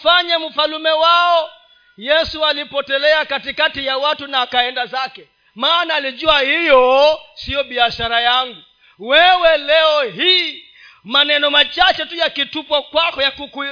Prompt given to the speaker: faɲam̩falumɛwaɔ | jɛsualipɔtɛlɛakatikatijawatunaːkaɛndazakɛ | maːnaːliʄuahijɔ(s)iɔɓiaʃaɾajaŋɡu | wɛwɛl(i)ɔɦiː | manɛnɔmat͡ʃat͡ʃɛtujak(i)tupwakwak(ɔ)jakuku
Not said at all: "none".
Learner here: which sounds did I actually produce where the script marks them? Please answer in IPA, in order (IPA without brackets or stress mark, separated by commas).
s, ɛ, i, ɔ